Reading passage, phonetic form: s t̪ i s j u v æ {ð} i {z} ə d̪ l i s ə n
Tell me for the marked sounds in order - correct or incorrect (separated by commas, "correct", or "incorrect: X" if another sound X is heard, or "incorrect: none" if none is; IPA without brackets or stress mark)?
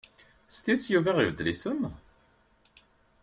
incorrect: ʁ, incorrect: v